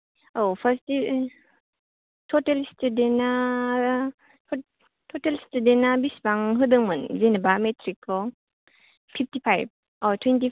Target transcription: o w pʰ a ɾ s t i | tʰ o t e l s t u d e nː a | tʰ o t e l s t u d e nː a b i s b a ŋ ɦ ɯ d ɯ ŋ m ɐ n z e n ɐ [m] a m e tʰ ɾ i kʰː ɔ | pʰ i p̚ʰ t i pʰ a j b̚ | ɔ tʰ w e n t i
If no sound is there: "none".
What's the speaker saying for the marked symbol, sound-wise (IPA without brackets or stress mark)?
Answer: b